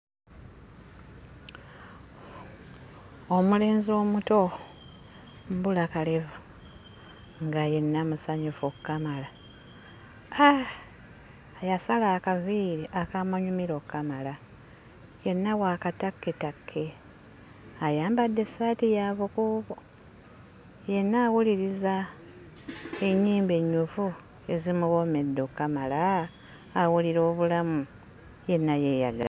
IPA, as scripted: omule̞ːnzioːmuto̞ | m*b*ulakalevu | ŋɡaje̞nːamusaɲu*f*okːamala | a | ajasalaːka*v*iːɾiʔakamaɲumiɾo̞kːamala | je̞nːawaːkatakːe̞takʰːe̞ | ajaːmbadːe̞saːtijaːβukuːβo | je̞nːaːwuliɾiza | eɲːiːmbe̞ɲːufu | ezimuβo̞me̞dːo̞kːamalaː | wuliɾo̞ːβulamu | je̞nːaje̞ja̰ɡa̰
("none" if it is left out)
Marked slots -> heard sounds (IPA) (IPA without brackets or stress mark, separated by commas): b, f, v